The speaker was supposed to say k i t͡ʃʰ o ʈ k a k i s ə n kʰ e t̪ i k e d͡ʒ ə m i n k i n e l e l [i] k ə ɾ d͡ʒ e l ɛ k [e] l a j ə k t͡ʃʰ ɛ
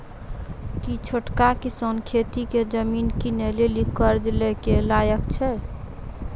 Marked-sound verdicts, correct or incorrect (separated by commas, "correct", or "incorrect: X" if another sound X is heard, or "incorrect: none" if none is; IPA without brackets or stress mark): correct, correct